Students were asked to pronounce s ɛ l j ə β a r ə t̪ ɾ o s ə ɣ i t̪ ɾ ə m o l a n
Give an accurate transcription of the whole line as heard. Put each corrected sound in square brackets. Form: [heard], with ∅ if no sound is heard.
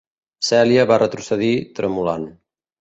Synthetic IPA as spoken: s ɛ l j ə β a r ə t̪ ɾ [u] s ə [ð] i t̪ ɾ ə m [u] l a n